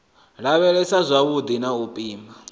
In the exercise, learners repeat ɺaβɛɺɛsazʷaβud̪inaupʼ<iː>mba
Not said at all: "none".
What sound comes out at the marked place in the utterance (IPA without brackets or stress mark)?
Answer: iː